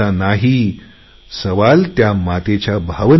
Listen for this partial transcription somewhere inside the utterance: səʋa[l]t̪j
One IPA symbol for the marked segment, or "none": l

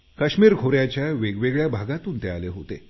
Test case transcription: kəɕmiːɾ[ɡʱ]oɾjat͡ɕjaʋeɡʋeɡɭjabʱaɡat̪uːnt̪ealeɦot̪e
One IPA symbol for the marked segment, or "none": ɡʱ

